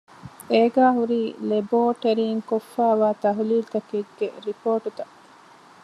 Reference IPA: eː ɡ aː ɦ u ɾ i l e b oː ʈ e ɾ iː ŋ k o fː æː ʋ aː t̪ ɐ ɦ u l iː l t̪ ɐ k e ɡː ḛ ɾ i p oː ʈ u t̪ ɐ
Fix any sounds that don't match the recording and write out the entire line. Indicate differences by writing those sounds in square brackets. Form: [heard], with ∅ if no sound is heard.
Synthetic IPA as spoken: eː ɡ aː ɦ u ɾ [iː] l e b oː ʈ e ɾ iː ŋ k o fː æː ʋ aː t̪ ɐ ɦ u l iː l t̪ ɐ k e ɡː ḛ ɾ i p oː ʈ u t̪ ɐ